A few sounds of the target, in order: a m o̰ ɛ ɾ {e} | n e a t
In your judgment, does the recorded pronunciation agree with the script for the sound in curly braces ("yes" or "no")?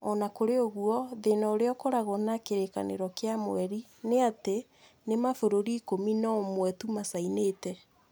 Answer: no